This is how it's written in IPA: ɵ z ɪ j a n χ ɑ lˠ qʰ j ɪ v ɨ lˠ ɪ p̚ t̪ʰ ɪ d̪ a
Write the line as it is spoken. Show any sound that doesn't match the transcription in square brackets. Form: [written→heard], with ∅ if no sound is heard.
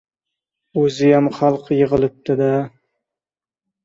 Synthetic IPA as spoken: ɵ z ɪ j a [n→m] χ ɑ lˠ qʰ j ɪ [v→ʁ] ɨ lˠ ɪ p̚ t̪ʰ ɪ d̪ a